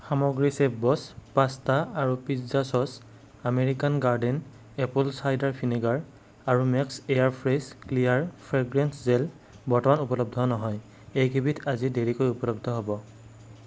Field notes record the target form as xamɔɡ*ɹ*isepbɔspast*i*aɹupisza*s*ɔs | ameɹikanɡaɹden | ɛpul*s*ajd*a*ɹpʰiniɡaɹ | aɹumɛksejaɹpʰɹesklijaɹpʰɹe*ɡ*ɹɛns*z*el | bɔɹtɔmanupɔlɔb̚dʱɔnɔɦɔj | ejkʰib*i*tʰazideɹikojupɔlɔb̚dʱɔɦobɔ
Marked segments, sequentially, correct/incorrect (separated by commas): correct, incorrect, correct, correct, correct, correct, correct, correct